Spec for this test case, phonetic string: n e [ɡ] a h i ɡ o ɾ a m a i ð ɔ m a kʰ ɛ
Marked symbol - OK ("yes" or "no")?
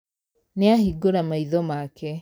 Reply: no